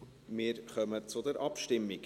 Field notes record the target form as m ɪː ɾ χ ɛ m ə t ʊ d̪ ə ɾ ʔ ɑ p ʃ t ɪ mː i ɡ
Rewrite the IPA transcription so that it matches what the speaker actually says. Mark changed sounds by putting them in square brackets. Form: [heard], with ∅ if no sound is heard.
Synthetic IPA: m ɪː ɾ χ [œ] m ə [t͡s] ʊ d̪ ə ɾ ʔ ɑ p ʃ t ɪ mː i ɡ